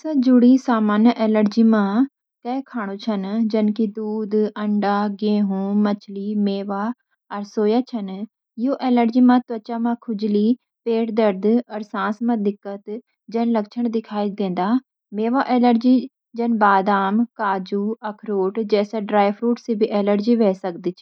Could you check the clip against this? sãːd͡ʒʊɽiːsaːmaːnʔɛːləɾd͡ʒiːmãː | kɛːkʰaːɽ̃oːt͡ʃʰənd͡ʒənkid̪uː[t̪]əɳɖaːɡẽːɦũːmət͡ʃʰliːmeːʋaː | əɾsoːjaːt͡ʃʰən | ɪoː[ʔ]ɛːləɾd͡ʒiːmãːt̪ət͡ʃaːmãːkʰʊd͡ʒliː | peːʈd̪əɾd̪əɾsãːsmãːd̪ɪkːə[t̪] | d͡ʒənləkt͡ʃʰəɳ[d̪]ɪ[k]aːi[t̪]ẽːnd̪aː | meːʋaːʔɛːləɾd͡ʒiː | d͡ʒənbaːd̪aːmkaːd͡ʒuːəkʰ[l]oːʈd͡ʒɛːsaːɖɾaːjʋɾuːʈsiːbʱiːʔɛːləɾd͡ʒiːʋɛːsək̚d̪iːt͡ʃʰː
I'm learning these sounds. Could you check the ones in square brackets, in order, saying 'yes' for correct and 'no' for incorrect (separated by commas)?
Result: no, yes, yes, yes, no, no, no